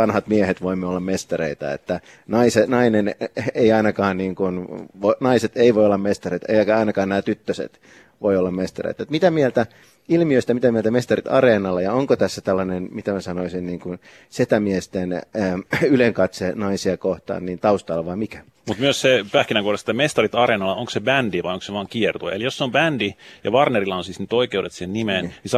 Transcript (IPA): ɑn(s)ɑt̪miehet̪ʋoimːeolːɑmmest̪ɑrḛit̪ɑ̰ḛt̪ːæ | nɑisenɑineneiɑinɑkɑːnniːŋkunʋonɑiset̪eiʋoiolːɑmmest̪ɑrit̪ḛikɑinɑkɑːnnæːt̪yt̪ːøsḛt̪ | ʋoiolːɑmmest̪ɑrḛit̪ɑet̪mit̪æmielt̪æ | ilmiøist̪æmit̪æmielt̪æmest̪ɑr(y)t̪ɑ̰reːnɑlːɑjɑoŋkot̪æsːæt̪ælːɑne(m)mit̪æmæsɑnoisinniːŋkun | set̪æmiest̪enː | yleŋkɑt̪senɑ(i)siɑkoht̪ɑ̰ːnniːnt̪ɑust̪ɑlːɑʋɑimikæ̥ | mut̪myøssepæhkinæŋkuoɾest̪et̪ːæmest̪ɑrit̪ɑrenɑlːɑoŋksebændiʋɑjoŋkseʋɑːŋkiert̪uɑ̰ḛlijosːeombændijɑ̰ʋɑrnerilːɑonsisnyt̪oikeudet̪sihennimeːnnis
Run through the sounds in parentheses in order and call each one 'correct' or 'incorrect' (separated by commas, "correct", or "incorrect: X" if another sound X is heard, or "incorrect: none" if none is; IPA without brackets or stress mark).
incorrect: h, incorrect: i, incorrect: n, correct